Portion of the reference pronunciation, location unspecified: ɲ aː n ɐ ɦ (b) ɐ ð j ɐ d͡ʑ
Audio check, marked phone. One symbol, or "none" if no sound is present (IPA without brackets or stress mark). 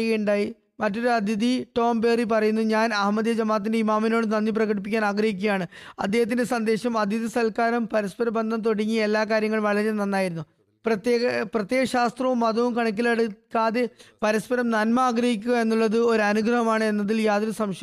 m